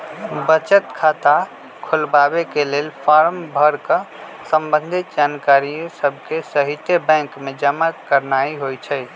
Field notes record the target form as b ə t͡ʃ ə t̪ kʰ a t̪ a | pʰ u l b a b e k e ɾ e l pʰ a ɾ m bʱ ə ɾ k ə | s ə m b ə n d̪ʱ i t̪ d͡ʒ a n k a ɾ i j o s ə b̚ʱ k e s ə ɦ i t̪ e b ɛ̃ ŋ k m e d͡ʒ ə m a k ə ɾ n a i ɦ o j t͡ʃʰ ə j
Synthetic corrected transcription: b ə t͡ʃ ə t̪ kʰ a t̪ a | kʰ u l b a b e k e l e l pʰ a ɾ m bʱ ə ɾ k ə | s ə m b ə n d̪ʱ i t̪ d͡ʒ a n k a ɾ i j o s ə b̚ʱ k e s ə ɦ i t̪ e b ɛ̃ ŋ k m e d͡ʒ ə m a k ə ɾ n a i ɦ o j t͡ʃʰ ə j